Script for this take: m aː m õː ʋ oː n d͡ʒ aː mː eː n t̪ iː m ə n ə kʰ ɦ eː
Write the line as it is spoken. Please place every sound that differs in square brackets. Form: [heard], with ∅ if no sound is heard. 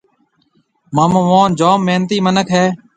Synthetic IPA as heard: m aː m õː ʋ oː n d͡ʒ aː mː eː n t̪ iː m ə n ə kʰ ɦ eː

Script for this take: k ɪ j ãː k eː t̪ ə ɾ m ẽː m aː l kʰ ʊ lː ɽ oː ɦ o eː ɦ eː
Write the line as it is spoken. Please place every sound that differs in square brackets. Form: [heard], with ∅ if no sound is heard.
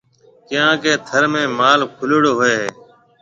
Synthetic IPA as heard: k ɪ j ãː k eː [t̪ʰ] ə ɾ m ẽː m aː l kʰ ʊ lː ɽ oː ɦ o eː ɦ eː

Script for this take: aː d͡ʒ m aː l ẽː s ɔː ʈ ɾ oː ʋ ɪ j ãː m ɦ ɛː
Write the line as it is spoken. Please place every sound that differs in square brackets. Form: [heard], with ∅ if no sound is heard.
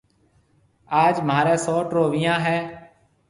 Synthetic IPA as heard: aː d͡ʒ m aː [ɾ] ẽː s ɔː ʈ ɾ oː ʋ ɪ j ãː [∅] ɦ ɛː

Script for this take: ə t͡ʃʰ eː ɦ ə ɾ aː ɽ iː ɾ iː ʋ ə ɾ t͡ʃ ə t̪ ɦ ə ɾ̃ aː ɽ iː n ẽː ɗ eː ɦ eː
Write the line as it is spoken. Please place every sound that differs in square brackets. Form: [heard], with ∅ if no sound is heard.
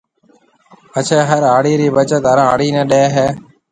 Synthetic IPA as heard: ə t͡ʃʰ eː ɦ ə ɾ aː ɽ iː ɾ iː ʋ ə [∅] t͡ʃ ə t̪ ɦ ə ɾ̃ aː ɽ iː n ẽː ɗ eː ɦ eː

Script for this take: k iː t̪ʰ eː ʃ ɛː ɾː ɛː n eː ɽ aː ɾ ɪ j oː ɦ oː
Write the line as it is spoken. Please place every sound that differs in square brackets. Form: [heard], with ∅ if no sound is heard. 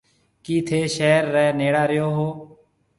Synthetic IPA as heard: k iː t̪ʰ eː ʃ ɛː ɾː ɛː n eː ɽ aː ɾ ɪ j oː ɦ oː

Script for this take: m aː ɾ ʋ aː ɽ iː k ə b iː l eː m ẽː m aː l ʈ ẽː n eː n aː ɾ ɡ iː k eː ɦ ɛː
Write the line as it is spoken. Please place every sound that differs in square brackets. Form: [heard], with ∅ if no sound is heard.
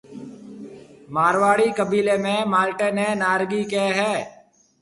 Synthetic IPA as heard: m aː ɾ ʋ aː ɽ iː k ə b iː l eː m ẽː m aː l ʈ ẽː n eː n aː ɾ ɡ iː k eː ɦ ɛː

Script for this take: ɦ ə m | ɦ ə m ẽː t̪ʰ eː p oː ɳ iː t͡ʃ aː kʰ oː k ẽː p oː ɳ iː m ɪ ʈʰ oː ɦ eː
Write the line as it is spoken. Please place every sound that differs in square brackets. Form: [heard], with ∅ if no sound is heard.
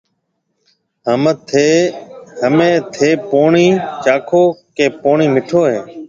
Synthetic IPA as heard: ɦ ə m | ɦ ə m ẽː t̪ʰ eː p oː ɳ iː t͡ʃ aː kʰ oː k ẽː p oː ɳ iː m ɪ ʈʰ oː ɦ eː

